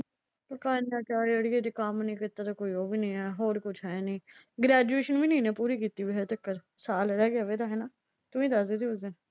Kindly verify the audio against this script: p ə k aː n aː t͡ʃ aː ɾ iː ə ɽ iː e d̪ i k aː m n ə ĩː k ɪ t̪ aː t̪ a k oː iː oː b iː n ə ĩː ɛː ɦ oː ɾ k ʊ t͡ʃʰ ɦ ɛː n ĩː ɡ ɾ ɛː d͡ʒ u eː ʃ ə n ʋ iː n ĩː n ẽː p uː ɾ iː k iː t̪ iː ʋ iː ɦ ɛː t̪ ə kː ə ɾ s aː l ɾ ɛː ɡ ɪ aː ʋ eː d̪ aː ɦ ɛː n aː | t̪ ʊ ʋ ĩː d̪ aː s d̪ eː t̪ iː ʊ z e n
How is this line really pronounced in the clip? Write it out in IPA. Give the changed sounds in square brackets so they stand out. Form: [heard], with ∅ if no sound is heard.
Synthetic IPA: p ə k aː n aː t͡ʃ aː ɾ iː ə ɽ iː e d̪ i k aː m n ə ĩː k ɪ t̪ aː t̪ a k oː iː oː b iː n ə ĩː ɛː ɦ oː ɾ k ʊ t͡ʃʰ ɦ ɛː n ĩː ɡ ɾ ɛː d͡ʒ u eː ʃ ə n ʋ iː n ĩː n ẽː p uː ɾ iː k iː t̪ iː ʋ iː ɦ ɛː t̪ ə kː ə ɾ s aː l ɾ ɛː ɡ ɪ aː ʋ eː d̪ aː ɦ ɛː n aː | t̪ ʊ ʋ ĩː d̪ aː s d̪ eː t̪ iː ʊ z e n